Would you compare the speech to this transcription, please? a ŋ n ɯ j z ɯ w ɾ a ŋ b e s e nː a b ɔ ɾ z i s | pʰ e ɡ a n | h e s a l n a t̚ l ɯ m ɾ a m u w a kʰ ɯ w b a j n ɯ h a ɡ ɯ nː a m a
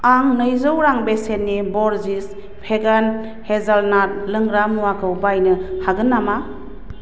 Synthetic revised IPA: a ŋ n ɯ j z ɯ w ɾ a ŋ b e s e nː i b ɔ ɾ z i s | pʰ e ɡ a n | h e z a l n a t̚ l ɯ ŋ ɾ a m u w a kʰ ɯ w b a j n ɯ h a ɡ ɯ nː a m a

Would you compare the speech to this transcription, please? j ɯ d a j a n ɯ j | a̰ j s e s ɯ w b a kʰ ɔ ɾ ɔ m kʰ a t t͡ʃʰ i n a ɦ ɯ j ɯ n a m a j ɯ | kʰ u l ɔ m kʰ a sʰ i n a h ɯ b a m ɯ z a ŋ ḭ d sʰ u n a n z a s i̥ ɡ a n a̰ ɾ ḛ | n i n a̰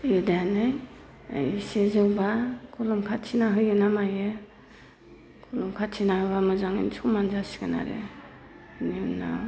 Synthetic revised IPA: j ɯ d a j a n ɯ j | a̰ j s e z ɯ w b a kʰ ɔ l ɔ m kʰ a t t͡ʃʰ i n a ɦ ɯ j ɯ n a m a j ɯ | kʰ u l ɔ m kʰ a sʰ i n a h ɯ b a m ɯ z a ŋ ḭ n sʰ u m a n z a s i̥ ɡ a n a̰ ɾ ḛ | n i n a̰

